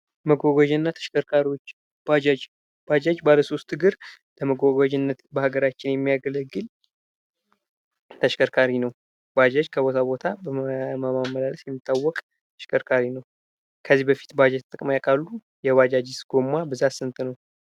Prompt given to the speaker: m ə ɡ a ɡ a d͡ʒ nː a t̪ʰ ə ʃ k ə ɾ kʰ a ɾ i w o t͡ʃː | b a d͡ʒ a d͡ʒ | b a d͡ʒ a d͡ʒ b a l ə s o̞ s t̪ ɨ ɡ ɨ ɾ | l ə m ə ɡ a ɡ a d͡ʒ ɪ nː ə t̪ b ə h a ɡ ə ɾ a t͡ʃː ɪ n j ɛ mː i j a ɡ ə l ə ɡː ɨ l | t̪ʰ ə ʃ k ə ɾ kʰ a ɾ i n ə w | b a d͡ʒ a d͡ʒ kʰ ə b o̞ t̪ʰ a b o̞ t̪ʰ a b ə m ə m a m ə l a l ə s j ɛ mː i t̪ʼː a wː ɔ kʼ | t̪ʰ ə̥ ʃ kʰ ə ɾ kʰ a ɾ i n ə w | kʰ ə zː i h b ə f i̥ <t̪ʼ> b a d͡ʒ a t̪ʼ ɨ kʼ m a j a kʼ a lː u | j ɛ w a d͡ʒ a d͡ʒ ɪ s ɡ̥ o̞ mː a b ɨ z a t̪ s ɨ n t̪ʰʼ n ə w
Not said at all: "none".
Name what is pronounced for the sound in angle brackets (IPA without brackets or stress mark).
t̪